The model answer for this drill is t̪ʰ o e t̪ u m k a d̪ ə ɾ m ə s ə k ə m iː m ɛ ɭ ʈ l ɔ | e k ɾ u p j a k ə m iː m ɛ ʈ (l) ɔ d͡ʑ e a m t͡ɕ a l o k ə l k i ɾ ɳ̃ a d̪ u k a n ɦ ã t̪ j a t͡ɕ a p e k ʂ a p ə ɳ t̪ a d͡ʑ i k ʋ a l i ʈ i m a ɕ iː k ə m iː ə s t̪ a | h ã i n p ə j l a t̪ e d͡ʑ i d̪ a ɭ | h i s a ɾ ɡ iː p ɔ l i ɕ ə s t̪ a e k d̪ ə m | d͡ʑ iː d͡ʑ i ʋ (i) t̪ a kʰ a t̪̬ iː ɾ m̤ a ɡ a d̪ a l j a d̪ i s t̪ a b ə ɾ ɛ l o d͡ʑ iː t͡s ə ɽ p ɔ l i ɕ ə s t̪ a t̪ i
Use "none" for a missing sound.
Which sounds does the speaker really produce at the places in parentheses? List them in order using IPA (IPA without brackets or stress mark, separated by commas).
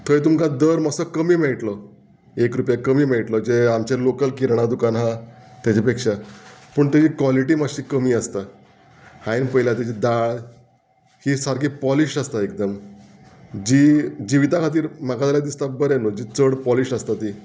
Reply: l, i